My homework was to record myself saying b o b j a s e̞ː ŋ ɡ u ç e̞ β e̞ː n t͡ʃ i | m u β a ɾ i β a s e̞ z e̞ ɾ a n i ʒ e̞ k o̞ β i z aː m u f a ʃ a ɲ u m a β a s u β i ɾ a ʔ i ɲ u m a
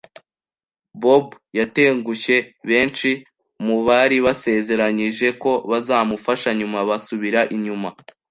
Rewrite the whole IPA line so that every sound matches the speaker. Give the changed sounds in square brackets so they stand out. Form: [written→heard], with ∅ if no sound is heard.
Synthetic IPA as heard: b o b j a [s→t] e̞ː ŋ ɡ u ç e̞ β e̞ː n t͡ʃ i | m u β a ɾ i β a s e̞ z e̞ ɾ a [n→ɲ] i ʒ e̞ k o̞ β [i→a] z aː m u f a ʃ a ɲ u m a β a s u β i ɾ a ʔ i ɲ u m a